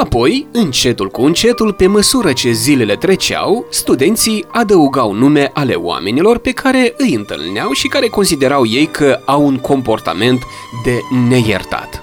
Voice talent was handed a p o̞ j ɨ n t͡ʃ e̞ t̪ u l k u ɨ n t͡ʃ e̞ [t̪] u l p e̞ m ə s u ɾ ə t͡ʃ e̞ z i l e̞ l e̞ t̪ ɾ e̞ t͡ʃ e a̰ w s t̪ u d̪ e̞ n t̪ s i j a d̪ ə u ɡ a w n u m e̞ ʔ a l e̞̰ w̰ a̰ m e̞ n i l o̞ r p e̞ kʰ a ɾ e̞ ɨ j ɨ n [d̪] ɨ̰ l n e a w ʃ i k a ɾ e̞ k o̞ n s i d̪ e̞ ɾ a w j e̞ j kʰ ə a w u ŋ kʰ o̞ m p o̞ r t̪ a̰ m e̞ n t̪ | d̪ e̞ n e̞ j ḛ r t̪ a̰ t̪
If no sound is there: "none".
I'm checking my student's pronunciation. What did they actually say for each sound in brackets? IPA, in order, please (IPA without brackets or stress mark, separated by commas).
t̪, t̪